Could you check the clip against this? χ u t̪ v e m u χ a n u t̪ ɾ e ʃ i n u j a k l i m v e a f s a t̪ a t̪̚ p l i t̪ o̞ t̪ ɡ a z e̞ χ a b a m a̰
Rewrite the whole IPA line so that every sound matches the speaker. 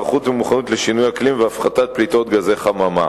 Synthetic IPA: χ u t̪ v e m u χ a n u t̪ l e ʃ i n u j a k l i m v e a f χ a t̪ a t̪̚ p l i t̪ o̞ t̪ ɡ a z e̞ χ a m a m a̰